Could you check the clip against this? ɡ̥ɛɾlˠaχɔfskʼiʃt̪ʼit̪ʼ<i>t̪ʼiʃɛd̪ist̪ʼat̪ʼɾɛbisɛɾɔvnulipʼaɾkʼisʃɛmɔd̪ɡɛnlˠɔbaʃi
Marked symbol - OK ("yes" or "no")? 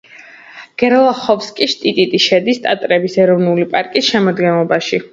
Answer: yes